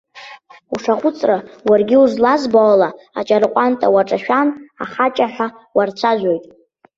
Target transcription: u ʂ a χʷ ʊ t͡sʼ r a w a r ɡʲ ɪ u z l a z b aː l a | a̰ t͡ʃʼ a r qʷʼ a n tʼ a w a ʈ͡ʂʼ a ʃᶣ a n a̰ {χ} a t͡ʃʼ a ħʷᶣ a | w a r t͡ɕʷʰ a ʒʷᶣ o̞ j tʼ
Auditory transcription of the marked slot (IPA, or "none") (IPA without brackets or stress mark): χ